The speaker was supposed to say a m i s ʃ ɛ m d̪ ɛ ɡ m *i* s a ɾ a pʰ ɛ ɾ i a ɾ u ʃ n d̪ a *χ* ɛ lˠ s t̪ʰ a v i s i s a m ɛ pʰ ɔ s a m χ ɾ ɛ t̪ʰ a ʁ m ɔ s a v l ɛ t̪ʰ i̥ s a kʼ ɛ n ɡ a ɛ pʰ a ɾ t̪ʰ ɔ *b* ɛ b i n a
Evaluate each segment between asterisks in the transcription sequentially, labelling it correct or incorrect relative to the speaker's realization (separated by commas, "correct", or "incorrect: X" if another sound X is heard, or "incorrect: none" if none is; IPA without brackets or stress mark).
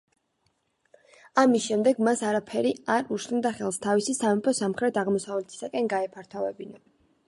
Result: incorrect: a, correct, incorrect: v